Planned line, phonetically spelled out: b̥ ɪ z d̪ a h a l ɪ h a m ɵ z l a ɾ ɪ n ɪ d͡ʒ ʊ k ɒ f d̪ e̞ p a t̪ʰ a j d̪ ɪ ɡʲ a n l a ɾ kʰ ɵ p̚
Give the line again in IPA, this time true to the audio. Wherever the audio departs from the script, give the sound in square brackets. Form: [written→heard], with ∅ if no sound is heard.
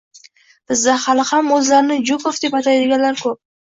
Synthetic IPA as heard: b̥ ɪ z d̪ a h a l ɪ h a m ɵ z l a ɾ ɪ n ɪ d͡ʒ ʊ k [ɒ→o] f d̪ e̞ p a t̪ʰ a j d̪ ɪ ɡʲ a n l a ɾ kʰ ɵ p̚